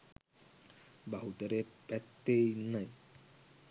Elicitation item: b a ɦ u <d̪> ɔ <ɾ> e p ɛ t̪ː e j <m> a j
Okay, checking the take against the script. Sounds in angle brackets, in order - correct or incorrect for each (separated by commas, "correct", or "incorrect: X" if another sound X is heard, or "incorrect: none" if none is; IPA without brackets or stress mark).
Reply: incorrect: t̪, correct, incorrect: n